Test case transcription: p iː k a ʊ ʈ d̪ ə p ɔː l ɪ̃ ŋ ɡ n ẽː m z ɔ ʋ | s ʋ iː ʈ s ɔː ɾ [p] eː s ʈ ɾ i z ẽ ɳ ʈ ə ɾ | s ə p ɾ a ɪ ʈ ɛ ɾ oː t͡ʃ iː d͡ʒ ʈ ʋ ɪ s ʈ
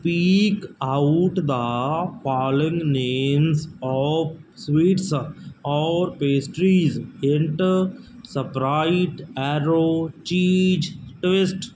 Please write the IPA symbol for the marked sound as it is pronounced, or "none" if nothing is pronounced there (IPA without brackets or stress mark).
p